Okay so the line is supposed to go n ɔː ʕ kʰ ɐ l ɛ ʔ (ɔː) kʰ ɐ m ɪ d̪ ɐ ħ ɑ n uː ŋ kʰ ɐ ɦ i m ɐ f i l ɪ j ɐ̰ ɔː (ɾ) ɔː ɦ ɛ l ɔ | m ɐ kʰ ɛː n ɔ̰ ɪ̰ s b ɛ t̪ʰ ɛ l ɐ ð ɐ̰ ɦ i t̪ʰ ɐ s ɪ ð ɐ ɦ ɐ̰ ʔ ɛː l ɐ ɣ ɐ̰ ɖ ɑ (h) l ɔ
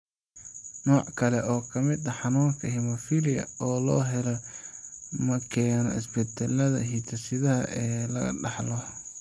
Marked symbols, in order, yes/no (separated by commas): yes, no, no